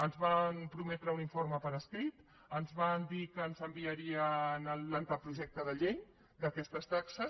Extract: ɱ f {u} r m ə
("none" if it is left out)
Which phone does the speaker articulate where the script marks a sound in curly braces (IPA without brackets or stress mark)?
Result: o